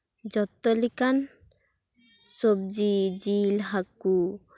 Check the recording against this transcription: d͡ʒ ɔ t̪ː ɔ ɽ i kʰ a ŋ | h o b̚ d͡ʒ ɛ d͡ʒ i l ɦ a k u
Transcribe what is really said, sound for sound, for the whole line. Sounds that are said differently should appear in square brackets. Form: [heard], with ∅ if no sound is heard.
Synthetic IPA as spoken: d͡ʒ ɔ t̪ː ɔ [l] i [k] a [n] | [s] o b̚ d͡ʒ [i] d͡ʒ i l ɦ a k u

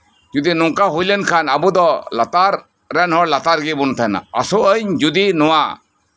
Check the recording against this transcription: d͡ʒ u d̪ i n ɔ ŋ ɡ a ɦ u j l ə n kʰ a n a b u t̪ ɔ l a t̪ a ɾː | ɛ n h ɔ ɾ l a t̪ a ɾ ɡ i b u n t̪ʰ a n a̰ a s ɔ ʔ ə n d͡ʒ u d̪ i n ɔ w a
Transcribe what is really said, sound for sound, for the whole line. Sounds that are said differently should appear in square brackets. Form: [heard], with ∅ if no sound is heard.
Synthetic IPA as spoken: d͡ʒ u d̪ i n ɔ ŋ [k] a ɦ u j l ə n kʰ a n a b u [d̪] ɔ l a t̪ a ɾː | ɛ n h ɔ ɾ l a t̪ a ɾ ɡ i b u n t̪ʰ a n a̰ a s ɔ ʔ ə [ɲ] d͡ʒ u d̪ i n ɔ w a

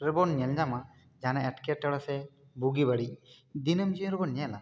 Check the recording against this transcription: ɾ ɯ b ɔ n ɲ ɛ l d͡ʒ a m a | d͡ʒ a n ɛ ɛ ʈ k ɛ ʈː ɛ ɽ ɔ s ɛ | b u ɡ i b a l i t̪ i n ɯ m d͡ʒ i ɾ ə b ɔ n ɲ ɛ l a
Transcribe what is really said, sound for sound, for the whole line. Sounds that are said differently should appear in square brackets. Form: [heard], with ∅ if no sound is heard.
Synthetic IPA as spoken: ɾ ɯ b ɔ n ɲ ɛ l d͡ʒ a m a | d͡ʒ a n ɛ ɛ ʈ k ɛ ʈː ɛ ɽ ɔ s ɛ | b u ɡ i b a [ɽ] i [d̪] i n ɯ m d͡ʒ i ɾ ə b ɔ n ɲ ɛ l a

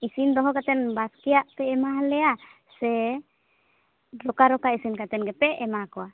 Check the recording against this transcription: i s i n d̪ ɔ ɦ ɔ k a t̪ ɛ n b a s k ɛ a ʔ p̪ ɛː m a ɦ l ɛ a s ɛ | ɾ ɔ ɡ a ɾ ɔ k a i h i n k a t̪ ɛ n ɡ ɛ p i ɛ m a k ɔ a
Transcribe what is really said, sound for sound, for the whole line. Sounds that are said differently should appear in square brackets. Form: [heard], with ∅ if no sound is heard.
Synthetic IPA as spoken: i s i n d̪ ɔ ɦ ɔ k a t̪ ɛ n b a s k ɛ a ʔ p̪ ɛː m a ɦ l ɛ a s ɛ | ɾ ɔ [k] a ɾ ɔ k a i [s] i n k a t̪ ɛ n ɡ ɛ p [ɛ] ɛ m a k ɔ a

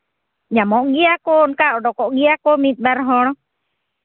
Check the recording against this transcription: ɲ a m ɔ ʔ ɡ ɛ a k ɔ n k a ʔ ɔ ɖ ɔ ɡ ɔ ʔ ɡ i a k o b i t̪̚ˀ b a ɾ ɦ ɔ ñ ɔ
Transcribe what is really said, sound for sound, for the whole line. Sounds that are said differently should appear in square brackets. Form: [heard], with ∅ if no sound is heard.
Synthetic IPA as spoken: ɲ a m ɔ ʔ ɡ [i] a k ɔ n k a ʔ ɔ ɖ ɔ [k] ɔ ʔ ɡ i a k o [m] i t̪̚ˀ b a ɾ ɦ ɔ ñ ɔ

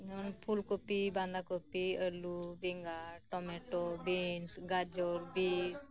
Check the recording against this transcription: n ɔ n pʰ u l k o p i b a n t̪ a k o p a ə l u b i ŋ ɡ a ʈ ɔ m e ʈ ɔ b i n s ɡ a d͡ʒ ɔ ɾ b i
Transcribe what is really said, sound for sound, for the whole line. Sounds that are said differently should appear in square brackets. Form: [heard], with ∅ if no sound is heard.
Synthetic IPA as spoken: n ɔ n pʰ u l k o p i b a n [d̪] a k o p [i] ə l u b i ŋ ɡ a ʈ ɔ m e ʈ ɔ b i n s ɡ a d͡ʒ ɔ ɾ b i

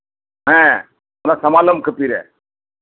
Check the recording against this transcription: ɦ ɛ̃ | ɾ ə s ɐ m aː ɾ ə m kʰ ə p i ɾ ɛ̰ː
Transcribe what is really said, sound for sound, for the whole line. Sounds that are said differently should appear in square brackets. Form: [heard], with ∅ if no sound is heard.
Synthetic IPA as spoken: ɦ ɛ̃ | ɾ [a] s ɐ m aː [l] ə m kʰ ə p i ɾ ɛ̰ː

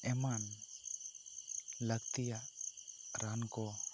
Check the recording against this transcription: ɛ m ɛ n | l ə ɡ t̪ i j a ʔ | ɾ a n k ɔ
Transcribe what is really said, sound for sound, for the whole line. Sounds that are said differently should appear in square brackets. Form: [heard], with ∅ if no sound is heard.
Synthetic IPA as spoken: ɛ m [a] n | l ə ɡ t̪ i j a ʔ | ɾ a n k ɔ

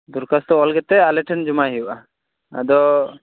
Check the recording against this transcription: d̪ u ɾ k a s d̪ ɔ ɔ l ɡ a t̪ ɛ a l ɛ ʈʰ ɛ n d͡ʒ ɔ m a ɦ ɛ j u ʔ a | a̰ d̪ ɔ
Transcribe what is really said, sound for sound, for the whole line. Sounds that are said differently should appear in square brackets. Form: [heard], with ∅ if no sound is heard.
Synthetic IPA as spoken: d̪ u ɾ k a s [t̪] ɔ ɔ l ɡ [ɛ] t̪ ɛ a l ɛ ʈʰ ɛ n d͡ʒ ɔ m a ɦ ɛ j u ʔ a | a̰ d̪ ɔ

